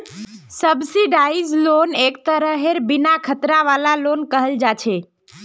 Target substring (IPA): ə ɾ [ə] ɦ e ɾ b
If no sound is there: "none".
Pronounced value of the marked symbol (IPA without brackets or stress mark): ə